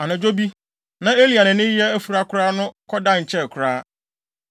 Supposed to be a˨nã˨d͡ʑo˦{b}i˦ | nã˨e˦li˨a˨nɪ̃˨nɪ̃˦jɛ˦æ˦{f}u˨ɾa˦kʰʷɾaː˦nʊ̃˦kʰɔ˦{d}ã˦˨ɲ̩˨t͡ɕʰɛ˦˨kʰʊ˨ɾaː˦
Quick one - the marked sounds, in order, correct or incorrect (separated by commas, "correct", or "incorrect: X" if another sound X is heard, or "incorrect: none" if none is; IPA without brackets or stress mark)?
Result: correct, correct, correct